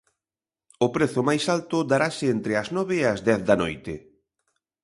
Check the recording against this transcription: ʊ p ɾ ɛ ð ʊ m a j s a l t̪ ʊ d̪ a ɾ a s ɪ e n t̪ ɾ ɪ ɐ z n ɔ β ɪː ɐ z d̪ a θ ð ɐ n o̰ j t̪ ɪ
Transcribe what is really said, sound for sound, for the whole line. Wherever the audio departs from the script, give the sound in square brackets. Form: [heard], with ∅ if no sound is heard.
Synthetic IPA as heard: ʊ p ɾ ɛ [θ] ʊ m a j s a l t̪ ʊ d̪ a ɾ a s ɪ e n t̪ ɾ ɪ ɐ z n ɔ β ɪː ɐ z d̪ [ɛ] θ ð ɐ n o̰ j t̪ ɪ